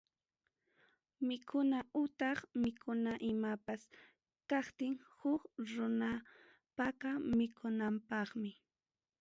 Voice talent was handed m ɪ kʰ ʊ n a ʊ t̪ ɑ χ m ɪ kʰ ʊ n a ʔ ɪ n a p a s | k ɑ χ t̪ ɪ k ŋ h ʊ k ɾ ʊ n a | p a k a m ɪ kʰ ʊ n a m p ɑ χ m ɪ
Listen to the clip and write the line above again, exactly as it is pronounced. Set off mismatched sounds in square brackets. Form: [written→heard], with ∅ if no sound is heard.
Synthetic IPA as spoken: m ɪ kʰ ʊ n a ʊ t̪ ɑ χ m ɪ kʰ ʊ n a ʔ ɪ [n→m] a p a s | k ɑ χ t̪ ɪ [k→∅] ŋ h ʊ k ɾ ʊ n a | p a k a m ɪ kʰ ʊ n a m p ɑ χ m ɪ